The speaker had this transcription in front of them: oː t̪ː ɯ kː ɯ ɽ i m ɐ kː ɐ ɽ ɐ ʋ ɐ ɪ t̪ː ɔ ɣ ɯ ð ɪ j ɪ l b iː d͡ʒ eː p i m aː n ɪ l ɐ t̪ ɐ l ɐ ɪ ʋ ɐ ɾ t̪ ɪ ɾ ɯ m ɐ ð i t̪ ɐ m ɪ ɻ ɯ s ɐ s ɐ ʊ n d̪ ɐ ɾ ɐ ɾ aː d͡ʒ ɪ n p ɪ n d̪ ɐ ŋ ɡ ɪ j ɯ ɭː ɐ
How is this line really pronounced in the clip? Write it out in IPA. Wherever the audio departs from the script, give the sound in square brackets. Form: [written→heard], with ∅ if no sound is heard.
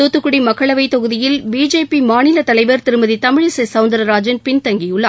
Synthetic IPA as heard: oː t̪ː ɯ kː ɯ ɽ i m ɐ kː ɐ [ɽ→ɭ] ɐ ʋ ɐ ɪ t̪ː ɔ ɣ ɯ ð ɪ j ɪ l b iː d͡ʒ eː p i m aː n ɪ l ɐ t̪ ɐ l ɐ ɪ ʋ ɐ ɾ t̪ ɪ ɾ ɯ m ɐ ð i t̪ ɐ m ɪ ɻ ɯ s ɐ s ɐ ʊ n d̪ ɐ ɾ ɐ ɾ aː d͡ʒ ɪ n p ɪ n [d̪→t̪] ɐ ŋ ɡ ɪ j ɯ ɭː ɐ

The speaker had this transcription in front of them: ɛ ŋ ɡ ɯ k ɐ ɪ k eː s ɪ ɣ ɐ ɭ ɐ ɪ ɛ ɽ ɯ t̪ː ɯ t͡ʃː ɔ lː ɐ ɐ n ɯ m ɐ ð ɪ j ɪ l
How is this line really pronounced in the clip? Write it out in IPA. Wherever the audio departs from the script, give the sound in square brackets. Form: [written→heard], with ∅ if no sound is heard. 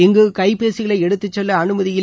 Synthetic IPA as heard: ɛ ŋ ɡ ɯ k ɐ ɪ [k→p] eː s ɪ ɣ ɐ ɭ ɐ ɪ ɛ ɽ ɯ t̪ː ɯ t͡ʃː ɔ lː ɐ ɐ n ɯ m ɐ ð ɪ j ɪ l

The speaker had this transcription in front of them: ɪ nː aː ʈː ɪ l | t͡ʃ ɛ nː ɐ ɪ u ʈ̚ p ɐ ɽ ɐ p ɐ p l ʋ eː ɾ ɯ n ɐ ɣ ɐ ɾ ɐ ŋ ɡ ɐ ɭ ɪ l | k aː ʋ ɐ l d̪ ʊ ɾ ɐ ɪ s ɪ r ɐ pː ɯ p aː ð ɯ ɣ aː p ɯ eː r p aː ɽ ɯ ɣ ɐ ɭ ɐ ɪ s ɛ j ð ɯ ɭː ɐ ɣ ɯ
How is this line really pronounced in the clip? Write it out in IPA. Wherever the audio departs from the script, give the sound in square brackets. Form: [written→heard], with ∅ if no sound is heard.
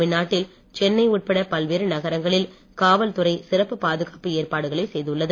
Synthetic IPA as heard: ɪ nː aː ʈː ɪ l | t͡ʃ ɛ nː ɐ ɪ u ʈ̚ p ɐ ɽ ɐ p ɐ [p→∅] l ʋ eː ɾ ɯ n ɐ ɣ ɐ ɾ ɐ ŋ ɡ ɐ ɭ ɪ l | k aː ʋ ɐ l [d̪→t̪] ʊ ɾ ɐ ɪ s ɪ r ɐ pː ɯ p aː ð ɯ ɣ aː p ɯ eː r p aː ɽ ɯ ɣ ɐ ɭ ɐ ɪ s ɛ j ð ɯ ɭː ɐ [ɣ→ð] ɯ

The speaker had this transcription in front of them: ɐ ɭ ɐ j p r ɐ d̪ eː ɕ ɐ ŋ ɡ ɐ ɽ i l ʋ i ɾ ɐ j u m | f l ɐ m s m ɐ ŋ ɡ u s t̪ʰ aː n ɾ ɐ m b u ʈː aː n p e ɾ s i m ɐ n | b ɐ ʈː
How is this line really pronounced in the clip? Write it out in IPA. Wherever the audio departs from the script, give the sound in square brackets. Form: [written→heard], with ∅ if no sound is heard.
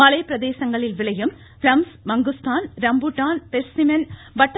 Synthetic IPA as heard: ɐ ɭ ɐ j p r ɐ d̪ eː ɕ ɐ ŋ ɡ ɐ [ɽ→ɭ] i l ʋ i [ɾ→ɭ] ɐ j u m | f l ɐ m s m ɐ ŋ ɡ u s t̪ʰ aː n ɾ ɐ m b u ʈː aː n p e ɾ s i m ɐ n | b ɐ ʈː

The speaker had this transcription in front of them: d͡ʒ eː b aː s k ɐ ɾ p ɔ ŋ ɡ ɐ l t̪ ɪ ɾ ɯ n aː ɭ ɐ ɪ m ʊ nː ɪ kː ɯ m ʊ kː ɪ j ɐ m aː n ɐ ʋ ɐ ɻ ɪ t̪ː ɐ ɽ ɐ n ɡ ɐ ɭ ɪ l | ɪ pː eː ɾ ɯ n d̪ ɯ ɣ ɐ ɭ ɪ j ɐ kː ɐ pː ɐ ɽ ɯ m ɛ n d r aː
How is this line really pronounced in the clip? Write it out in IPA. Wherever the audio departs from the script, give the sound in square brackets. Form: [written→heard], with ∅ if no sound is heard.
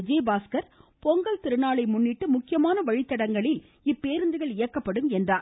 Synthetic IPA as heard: d͡ʒ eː b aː s k ɐ ɾ p ɔ ŋ ɡ ɐ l t̪ ɪ ɾ ɯ n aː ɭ ɐ ɪ m ʊ nː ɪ [kː→ʈː] ɯ m ʊ kː ɪ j ɐ m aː n ɐ ʋ ɐ ɻ ɪ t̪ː ɐ ɽ ɐ [n→ŋ] ɡ ɐ ɭ ɪ l | ɪ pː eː ɾ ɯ n d̪ ɯ ɣ ɐ ɭ ɪ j ɐ kː ɐ pː ɐ ɽ ɯ m ɛ n d r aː

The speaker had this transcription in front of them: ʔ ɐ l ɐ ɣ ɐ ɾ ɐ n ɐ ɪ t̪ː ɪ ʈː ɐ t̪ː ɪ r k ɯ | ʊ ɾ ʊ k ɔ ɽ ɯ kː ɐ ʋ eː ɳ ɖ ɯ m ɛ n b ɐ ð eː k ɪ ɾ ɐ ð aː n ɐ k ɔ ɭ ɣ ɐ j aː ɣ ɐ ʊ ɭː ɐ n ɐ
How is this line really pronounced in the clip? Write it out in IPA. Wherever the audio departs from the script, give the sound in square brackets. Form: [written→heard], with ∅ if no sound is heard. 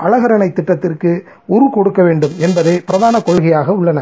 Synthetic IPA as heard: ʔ ɐ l ɐ ɣ ɐ ɾ ɐ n ɐ ɪ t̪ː ɪ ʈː ɐ t̪ː ɪ r k ɯ | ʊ ɾ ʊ k ɔ ɽ ɯ kː ɐ ʋ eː ɳ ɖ ɯ m ɛ n b ɐ ð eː [k→p] ɪ ɾ ɐ ð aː n ɐ k ɔ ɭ ɣ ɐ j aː ɣ ɐ ʊ ɭː ɐ n ɐ

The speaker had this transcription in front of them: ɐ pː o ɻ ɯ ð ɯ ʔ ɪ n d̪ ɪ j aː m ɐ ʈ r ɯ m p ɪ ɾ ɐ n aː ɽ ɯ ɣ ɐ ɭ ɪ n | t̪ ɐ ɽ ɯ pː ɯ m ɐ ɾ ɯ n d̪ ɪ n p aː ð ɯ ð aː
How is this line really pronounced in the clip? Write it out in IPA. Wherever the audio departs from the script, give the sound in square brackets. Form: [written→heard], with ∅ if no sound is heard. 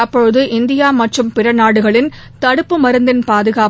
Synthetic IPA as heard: ɐ pː [o→ɔ] ɻ ɯ ð ɯ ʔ ɪ n d̪ ɪ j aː m ɐ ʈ r ɯ m p ɪ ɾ ɐ n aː ɽ ɯ ɣ ɐ ɭ ɪ n | t̪ ɐ ɽ ɯ pː ɯ m ɐ ɾ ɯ n d̪ ɪ n p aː ð ɯ [ð→ɣ] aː

